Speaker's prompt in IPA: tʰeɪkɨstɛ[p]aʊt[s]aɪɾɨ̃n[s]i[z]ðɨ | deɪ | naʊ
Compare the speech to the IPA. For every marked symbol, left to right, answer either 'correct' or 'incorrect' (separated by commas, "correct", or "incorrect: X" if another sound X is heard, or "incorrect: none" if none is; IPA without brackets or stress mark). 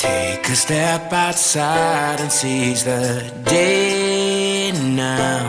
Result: correct, correct, correct, correct